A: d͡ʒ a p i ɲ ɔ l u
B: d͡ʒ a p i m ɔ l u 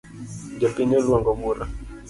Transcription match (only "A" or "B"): A